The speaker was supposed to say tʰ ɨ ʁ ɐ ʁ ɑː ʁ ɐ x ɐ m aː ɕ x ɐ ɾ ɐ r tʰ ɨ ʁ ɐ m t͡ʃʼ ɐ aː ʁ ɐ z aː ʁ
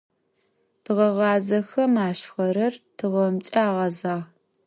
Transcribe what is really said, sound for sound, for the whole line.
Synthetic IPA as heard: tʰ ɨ ʁ ɐ ʁ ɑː z ɐ x ɐ m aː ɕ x ɐ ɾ ɐ r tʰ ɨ ʁ ɐ m t͡ʃʼ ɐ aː ʁ ɐ z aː ʁ